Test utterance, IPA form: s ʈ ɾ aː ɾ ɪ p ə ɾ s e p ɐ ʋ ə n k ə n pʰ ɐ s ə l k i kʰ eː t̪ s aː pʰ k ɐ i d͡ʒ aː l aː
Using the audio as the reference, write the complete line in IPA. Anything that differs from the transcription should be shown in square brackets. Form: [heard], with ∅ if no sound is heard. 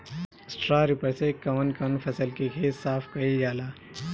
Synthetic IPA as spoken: s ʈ ɾ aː ɾ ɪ p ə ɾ s e [k] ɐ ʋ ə n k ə n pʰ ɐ s ə l k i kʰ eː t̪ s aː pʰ k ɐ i d͡ʒ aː l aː